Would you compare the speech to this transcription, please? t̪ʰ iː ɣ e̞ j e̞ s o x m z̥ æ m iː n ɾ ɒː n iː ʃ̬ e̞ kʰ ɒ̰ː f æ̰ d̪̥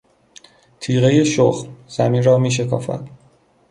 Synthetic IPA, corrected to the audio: t̪ʰ iː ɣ e̞ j e̞ ʃ o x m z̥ æ m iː n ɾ ɒː m iː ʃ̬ e̞ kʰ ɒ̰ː f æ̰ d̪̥